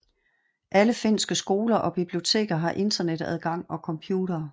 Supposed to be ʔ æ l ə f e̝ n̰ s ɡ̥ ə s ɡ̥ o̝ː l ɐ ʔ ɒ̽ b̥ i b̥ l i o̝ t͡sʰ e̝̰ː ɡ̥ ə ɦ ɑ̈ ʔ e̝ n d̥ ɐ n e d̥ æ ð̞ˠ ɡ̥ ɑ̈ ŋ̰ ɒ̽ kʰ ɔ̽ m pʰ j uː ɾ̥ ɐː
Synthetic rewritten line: ʔ æ l ə f e̝ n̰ s ɡ̥ ə s ɡ̥ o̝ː l ɐ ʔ ɒ̽ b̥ i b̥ l i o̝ t͡sʰ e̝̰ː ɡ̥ ɐ ɦ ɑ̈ ʔ e̝ n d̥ ɐ n e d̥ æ ð̞ˠ ɡ̥ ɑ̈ ŋ̰ ɒ̽ kʰ ɒ̽ m pʰ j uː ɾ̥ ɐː